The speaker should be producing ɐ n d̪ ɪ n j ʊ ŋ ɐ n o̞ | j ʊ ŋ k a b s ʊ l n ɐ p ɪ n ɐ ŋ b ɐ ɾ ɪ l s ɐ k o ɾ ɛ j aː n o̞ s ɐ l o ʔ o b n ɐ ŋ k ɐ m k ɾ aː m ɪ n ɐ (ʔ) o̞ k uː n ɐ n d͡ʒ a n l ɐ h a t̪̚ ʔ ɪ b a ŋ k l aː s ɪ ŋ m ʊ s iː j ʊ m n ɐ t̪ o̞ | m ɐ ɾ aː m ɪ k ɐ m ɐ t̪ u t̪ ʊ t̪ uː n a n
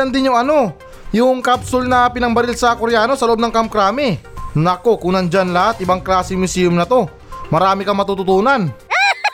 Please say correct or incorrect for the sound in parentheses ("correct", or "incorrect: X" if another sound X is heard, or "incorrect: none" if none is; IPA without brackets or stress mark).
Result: incorrect: k